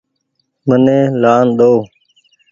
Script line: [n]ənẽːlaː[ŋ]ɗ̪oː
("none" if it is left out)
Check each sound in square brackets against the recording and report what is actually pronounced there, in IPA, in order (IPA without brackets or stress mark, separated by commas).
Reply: m, n